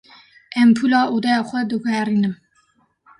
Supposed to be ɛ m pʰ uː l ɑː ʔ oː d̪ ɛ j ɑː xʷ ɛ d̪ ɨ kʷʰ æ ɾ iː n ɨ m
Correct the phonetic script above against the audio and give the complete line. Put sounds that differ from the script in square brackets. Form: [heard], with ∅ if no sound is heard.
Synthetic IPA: ɛ m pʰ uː l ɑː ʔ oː d̪ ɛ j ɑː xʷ ɛ d̪ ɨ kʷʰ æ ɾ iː n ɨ m